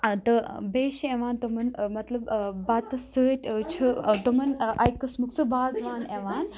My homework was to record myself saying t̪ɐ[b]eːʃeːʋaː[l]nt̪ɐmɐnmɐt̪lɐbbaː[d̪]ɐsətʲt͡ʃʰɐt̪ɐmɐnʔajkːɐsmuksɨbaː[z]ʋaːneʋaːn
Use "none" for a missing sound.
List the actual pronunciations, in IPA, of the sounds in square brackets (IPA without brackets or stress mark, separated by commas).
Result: b, none, t̪, z